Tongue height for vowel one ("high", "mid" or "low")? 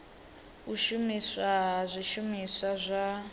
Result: high